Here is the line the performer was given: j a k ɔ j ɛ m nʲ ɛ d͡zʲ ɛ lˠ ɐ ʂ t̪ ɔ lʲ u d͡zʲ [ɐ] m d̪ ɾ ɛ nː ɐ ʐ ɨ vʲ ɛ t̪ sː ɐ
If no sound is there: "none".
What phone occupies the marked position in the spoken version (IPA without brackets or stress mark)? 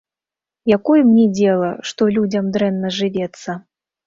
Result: ɐ